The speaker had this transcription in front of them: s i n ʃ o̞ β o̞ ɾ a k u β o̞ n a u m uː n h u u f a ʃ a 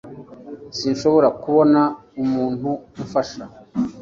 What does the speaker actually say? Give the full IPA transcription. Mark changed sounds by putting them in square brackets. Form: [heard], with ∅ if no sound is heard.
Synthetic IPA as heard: s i n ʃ o̞ β o̞ ɾ a k u β o̞ n a u m uː n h u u f a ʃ a